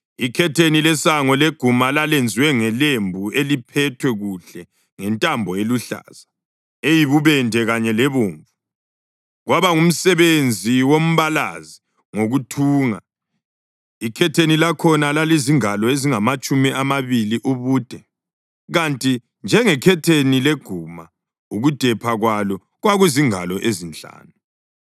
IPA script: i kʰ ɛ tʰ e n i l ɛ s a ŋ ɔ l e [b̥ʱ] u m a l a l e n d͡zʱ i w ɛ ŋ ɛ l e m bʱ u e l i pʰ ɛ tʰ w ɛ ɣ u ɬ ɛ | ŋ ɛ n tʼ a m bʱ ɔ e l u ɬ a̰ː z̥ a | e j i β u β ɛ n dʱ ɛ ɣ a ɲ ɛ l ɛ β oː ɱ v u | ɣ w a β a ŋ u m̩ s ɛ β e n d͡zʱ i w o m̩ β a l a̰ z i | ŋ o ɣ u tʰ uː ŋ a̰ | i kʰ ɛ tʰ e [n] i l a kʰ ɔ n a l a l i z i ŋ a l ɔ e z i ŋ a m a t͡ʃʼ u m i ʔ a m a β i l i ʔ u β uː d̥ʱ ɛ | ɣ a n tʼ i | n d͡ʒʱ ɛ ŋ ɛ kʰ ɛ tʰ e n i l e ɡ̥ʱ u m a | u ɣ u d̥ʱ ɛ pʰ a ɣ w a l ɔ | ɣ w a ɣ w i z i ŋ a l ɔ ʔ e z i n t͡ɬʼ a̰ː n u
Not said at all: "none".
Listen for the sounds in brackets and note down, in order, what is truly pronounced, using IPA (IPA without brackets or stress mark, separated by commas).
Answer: ɡ̥ʱ, n